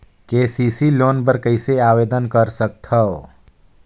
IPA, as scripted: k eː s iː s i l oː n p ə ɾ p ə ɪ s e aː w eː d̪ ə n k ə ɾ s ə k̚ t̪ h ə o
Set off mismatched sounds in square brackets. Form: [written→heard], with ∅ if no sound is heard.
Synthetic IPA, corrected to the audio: k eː s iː s i l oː n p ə ɾ [p→k] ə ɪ s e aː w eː d̪ ə n k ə ɾ s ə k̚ t̪ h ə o